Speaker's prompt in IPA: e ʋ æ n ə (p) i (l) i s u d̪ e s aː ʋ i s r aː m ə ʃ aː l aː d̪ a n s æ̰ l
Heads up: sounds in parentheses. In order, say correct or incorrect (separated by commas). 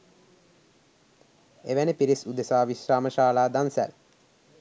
correct, incorrect